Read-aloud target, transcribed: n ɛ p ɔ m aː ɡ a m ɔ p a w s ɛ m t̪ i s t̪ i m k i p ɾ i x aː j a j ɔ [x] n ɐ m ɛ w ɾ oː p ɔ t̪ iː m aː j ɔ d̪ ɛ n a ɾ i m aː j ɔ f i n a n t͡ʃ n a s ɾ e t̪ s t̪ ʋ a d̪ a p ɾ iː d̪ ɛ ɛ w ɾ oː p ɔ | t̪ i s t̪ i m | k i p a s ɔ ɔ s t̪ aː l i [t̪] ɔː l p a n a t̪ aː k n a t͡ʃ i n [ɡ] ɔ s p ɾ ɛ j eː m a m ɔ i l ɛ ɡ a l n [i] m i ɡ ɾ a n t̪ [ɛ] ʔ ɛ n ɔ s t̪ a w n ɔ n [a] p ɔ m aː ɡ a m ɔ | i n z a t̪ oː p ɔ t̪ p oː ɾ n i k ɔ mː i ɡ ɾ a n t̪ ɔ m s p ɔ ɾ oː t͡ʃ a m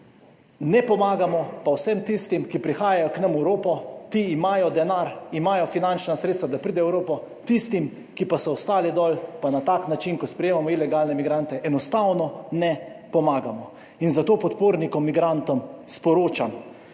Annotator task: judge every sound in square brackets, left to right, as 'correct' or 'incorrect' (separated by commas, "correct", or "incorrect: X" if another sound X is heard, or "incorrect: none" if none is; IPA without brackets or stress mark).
incorrect: k, incorrect: d̪, incorrect: k, incorrect: ɛ, correct, incorrect: ɛ